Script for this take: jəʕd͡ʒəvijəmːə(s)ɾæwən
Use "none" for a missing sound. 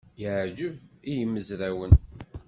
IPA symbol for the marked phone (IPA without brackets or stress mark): z